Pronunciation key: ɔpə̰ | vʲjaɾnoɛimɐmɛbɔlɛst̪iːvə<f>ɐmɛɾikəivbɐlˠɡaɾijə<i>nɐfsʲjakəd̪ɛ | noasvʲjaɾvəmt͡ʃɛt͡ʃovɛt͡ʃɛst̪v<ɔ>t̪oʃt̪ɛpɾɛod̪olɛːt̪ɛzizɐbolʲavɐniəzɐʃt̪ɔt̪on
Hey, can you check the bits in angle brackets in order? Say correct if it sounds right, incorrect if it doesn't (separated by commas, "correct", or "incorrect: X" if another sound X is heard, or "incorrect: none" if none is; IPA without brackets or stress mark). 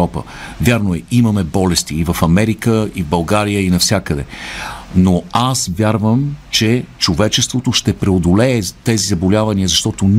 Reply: correct, correct, incorrect: o